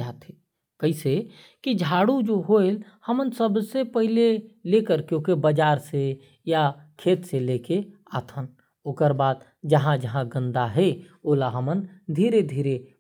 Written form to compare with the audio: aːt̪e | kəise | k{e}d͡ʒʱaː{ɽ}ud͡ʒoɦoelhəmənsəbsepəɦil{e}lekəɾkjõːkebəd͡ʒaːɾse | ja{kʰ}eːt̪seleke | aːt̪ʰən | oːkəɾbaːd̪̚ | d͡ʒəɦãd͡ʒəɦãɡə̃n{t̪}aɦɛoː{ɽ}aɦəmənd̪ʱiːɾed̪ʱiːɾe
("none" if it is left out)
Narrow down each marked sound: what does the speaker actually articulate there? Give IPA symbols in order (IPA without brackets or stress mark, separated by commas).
i, ɽ, e, kʰ, d̪, l